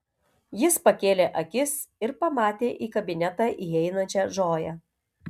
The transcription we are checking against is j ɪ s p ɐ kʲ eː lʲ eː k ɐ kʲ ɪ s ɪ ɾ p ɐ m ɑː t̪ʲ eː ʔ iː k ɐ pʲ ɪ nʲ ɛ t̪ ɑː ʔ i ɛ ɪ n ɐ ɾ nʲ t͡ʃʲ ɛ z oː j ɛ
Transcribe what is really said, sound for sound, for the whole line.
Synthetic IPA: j ɪ s p ɐ kʲ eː lʲ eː ʔ ɐ kʲ ɪ s ɪ ɾ p ɐ m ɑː t̪ʲ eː ʔ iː k ɐ bʲ ɪ nʲ ɛ t̪ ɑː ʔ i ɛ ɪ n ɐ nʲ t͡ʃʲ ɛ ʒ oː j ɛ